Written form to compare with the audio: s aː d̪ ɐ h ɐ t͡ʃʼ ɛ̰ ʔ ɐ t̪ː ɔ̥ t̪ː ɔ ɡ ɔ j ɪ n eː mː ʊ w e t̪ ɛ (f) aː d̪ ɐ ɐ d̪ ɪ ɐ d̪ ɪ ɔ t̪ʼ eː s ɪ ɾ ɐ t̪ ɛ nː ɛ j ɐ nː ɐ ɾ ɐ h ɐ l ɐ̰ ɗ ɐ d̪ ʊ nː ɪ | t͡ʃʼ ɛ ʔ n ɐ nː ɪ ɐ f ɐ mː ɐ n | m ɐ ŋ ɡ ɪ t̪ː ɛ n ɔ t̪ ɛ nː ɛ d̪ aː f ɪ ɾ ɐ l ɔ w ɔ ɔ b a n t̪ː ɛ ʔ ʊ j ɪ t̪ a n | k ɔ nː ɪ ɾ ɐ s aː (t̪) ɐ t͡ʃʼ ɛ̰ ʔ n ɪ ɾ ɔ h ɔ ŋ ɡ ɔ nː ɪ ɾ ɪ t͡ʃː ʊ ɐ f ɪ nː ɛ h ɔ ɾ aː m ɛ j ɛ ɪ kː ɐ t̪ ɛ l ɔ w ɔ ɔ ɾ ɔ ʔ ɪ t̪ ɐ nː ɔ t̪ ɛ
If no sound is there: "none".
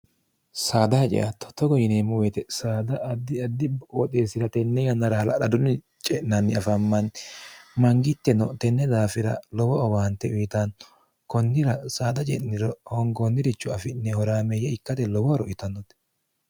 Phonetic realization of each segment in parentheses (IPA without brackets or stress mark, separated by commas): s, d̪